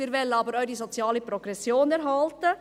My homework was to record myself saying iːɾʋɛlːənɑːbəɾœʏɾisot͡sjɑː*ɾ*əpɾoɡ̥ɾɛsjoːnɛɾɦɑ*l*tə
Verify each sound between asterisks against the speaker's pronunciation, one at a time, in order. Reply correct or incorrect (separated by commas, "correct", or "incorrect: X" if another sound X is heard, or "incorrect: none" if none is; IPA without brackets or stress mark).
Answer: incorrect: l, correct